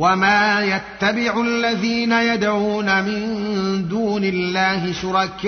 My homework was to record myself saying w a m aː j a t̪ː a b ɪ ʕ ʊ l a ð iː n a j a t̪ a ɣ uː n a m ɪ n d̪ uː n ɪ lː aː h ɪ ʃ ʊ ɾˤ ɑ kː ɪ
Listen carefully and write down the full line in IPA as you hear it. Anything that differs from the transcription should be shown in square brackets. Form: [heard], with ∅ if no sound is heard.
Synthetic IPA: w a m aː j a t̪ː a b ɪ ʕ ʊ [lː] a ð iː n a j a [d̪] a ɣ uː n a m ɪ n d̪ uː n ɪ lː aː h ɪ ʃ ʊ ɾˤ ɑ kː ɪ